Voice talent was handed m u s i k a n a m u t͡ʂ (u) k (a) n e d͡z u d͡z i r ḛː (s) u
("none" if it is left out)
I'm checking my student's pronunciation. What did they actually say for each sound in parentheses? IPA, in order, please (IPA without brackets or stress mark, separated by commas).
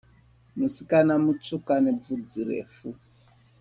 u, a, f